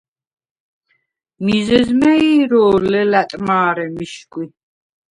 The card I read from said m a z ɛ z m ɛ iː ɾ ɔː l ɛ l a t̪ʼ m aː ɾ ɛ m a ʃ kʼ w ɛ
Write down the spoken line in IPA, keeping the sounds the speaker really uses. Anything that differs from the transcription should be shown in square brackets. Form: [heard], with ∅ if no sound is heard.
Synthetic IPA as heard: m [i] z ɛ z m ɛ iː ɾ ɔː l ɛ l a t̪ʼ m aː ɾ ɛ m [i] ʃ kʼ w [i]